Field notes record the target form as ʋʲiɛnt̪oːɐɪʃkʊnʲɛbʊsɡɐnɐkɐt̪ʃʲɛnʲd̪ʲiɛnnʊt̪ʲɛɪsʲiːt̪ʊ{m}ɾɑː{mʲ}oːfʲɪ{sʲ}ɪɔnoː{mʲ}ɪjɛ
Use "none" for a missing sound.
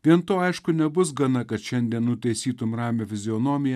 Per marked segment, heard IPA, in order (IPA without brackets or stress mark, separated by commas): m, mʲ, zʲ, mʲ